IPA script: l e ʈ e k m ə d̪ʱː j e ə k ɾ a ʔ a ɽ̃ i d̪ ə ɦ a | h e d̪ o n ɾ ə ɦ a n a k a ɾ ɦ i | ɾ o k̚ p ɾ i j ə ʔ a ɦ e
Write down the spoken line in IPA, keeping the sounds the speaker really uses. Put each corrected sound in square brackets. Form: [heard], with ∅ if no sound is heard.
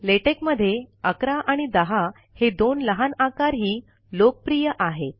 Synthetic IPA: l e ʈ e k m ə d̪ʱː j e ə k ɾ a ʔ a ɽ̃ i d̪ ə ɦ a | h e d̪ o n [l] ə ɦ a n a k a ɾ ɦ [iː] | [l] o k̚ p ɾ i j ə ʔ a ɦ e